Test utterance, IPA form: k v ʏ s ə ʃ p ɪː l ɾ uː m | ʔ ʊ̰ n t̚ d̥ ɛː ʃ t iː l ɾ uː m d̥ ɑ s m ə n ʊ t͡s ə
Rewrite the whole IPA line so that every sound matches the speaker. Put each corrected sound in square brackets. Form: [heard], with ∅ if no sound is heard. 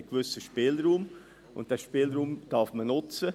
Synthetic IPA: k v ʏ s ə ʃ p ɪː l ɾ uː m | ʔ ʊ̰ n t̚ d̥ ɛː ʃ [p] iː l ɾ uː m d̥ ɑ [f] m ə n ʊ t͡s ə